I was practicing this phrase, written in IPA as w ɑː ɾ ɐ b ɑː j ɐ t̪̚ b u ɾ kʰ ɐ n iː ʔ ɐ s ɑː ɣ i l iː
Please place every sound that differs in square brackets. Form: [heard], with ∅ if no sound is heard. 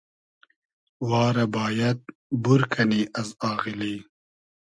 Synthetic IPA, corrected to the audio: w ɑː ɾ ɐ b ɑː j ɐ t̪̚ b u ɾ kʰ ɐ n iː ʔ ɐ [z] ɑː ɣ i l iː